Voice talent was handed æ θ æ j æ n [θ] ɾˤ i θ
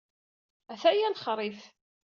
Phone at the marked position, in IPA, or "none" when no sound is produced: χ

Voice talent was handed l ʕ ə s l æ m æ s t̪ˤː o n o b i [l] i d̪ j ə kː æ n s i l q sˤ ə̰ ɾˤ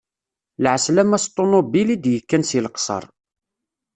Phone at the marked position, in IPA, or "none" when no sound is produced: l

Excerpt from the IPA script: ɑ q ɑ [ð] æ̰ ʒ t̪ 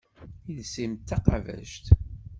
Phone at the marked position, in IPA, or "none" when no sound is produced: v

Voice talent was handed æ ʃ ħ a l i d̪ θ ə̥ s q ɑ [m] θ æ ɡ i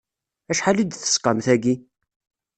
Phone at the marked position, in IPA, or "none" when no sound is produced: m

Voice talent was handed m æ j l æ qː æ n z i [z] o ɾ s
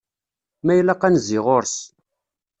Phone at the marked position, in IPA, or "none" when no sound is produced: ʁ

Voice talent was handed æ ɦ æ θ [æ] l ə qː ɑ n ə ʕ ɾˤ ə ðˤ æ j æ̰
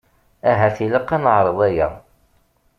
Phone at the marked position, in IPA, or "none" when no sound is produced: i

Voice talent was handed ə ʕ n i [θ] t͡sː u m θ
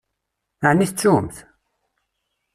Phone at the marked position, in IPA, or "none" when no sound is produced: θ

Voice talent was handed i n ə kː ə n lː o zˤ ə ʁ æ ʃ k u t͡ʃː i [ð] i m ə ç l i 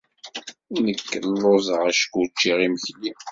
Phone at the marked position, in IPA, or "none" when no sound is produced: ʁ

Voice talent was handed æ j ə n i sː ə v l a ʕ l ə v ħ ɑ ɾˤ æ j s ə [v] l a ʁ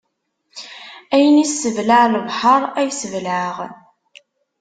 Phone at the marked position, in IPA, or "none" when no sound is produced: v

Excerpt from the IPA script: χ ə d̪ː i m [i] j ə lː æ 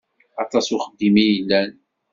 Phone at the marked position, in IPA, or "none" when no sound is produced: i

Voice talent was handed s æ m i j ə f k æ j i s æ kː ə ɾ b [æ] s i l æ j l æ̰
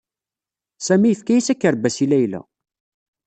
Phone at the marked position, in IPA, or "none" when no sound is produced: æ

